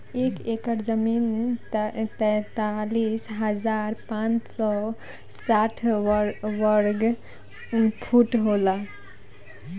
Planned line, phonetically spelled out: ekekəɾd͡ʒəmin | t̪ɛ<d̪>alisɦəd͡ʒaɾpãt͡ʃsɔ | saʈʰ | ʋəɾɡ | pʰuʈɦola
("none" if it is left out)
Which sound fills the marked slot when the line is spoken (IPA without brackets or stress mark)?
t̪